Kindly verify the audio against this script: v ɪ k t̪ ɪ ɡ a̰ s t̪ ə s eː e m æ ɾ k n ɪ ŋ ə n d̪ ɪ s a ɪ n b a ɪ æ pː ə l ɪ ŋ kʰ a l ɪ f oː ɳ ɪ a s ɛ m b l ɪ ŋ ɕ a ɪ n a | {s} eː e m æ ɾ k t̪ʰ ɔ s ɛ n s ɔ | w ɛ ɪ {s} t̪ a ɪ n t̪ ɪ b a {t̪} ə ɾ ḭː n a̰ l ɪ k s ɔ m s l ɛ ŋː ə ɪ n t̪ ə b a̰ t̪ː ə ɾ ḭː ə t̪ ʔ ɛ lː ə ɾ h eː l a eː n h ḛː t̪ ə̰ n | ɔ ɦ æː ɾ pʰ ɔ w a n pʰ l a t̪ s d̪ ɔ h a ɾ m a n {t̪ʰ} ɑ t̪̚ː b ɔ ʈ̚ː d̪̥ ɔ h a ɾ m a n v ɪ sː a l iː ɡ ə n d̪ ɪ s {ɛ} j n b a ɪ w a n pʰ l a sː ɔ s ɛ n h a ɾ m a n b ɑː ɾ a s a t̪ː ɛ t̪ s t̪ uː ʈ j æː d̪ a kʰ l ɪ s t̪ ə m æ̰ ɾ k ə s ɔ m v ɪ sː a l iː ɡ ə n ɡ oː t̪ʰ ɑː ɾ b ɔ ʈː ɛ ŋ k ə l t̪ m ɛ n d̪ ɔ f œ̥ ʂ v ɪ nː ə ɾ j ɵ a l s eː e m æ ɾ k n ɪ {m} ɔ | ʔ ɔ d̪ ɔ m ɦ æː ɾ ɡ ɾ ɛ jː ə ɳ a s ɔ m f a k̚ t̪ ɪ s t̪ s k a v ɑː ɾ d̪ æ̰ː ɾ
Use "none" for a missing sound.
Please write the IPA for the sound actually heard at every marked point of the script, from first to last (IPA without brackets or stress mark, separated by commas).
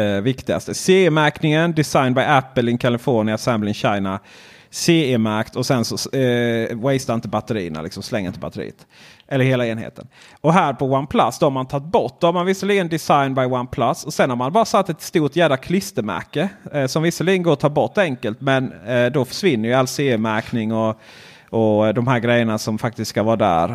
s, s, t̪, t̪ʰ, a, ŋ